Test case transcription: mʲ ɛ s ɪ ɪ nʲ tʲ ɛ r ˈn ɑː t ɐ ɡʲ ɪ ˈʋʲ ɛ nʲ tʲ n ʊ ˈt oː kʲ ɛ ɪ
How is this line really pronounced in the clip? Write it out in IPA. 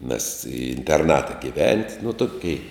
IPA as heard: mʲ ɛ s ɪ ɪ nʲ tʲ ɛ r ˈn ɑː t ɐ ɡʲ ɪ ˈʋʲ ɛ nʲ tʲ n ʊ ˈt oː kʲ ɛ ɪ

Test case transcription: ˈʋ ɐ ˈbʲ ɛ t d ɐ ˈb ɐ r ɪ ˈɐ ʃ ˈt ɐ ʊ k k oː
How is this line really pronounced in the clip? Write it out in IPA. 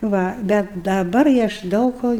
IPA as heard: ˈʋ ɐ ˈbʲ ɛ t d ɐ ˈb ɐ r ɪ ˈɐ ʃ ˈd ɐ ʊ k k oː

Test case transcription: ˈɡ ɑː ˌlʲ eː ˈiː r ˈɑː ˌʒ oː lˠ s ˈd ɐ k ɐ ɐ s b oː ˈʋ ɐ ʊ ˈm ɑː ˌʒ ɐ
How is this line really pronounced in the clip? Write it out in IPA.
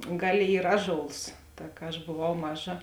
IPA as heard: ˈɡ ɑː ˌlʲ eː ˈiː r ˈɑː ˌʒ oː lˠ s ˈt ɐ k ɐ ɐ ʃ b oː ˈʋ ɐ ʊ ˈm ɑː ˌʒ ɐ

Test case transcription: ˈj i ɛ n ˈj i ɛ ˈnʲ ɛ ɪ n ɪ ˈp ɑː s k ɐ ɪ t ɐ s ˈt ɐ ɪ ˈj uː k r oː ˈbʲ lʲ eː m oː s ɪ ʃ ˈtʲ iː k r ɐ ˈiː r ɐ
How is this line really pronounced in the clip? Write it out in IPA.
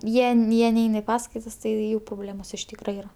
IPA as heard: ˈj i ɛ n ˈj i ɛ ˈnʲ ɛ ɪ n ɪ ˈp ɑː s k ɐ ɪ t ɐ s ˈt ɐ ɪ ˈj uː p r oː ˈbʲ lʲ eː m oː s ɪ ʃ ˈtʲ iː k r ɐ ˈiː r ɐ

